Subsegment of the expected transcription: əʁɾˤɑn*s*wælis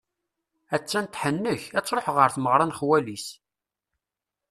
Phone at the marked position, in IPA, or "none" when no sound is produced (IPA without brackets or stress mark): χ